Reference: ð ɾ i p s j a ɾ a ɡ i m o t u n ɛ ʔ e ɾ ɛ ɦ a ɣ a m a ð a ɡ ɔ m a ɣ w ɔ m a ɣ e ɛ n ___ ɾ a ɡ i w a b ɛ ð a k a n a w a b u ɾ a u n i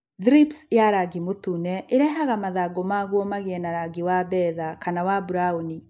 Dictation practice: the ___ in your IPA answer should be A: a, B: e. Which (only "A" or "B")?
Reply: A